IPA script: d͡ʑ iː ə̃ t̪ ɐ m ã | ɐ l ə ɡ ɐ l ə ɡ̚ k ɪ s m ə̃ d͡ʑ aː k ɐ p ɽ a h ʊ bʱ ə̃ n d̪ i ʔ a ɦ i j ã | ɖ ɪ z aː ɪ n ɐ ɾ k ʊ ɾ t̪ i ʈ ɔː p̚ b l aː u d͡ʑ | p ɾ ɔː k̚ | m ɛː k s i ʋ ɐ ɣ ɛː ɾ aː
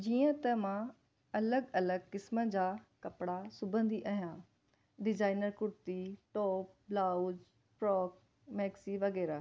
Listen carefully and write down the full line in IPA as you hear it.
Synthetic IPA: d͡ʑ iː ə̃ t̪ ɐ m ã | ɐ l ə ɡ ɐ l ə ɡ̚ k ɪ s m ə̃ d͡ʑ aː k ɐ p ɽ a s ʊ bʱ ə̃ n d̪ i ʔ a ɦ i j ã | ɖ ɪ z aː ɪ n ə ɾ k ʊ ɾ t̪ i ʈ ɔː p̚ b l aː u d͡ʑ | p ɾ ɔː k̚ | m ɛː k s i ʋ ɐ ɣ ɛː ɾ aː